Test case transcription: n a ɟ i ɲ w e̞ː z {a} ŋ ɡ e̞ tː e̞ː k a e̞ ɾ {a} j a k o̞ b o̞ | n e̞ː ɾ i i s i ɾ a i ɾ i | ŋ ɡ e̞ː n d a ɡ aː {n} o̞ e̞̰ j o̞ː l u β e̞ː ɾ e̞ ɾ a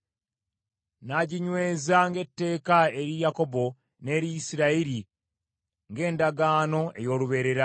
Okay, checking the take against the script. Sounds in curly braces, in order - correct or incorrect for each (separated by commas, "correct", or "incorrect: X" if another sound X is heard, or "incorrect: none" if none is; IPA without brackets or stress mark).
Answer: correct, incorrect: i, correct